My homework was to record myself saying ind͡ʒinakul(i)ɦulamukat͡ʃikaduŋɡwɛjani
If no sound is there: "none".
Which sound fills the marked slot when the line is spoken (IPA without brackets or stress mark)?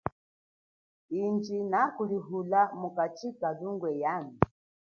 i